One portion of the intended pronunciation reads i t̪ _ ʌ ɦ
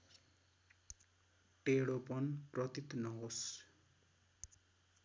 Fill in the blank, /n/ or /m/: n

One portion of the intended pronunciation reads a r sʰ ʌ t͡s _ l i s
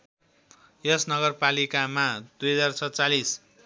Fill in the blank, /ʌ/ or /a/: a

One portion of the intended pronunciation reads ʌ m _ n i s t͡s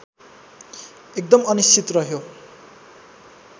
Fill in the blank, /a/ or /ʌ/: ʌ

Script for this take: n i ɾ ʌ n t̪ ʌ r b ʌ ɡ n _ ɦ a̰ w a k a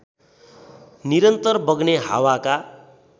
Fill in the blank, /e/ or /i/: e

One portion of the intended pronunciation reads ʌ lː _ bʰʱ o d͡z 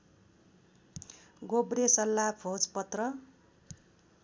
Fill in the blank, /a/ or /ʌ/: a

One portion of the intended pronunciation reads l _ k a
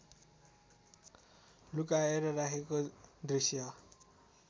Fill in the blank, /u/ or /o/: u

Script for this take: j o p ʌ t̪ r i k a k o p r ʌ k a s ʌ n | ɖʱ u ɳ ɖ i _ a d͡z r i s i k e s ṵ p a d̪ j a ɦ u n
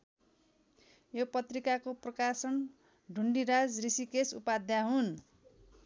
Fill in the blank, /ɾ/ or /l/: ɾ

